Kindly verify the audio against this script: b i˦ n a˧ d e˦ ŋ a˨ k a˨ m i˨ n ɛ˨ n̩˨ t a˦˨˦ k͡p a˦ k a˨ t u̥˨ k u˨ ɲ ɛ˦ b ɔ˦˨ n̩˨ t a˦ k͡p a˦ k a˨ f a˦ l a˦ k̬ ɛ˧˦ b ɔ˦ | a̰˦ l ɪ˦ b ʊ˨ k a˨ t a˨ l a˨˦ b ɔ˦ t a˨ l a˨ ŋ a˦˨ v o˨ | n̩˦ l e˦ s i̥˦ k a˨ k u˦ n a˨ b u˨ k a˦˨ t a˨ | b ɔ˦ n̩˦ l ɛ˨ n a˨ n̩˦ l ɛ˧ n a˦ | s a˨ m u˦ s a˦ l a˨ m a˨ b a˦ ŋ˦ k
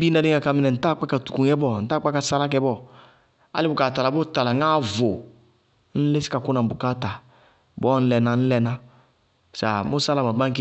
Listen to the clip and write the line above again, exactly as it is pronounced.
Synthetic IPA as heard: b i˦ n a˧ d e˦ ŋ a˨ k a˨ m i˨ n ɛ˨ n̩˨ t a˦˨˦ k͡p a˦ k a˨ t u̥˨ k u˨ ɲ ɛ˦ b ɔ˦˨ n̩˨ t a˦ k͡p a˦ k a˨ s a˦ l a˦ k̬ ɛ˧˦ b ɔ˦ | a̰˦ l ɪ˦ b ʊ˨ k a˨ t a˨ l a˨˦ b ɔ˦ t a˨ l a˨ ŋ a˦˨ v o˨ | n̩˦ l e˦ s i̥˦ k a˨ k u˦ n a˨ b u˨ k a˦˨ t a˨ | b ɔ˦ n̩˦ l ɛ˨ n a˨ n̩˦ l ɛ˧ n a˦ | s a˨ m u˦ s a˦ l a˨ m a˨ b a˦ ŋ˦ k